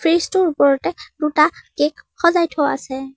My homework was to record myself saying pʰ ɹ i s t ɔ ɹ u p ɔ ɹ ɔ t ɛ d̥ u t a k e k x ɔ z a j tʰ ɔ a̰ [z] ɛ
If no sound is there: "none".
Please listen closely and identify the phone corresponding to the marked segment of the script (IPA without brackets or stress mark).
s